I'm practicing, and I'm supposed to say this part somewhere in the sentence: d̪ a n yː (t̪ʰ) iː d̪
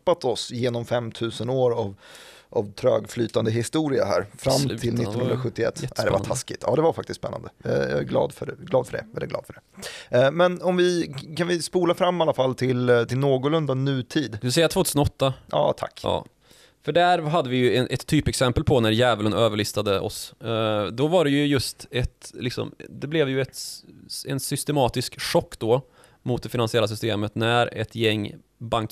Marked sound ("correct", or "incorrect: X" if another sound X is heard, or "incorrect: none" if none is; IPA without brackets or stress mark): correct